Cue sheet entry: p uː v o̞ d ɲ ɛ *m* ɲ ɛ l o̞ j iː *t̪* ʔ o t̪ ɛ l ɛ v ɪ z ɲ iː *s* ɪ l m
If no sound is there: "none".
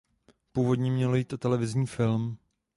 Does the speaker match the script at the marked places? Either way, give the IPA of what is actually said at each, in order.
m, t̪, f

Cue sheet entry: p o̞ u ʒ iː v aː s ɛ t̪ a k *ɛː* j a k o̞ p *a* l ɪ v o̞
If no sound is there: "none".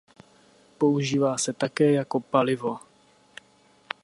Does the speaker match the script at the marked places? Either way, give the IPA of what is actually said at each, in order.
ɛː, a

